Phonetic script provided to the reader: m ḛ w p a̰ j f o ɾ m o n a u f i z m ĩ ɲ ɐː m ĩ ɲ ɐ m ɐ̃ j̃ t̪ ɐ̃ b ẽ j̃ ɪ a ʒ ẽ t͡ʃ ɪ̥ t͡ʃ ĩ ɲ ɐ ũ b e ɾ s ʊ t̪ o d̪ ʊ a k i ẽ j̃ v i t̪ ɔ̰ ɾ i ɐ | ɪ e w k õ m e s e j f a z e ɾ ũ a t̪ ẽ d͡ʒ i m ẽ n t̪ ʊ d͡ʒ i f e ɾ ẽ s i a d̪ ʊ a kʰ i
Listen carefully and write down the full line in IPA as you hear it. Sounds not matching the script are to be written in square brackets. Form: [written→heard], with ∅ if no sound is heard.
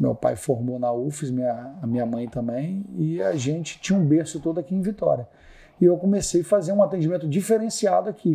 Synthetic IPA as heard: m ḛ w p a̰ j f o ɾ m o n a u f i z m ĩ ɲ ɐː m ĩ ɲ ɐ m ɐ̃ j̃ t̪ ɐ̃ b ẽ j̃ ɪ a ʒ ẽ t͡ʃ ɪ̥ t͡ʃ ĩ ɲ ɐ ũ b e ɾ s ʊ t̪ o d̪ ʊ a k i ẽ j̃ v i t̪ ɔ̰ ɾ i ɐ | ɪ e w k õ m e s e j f a z e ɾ ũ a t̪ ẽ d͡ʒ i m ẽ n t̪ ʊ d͡ʒ i f e ɾ ẽ s i a d̪ ʊ a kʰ i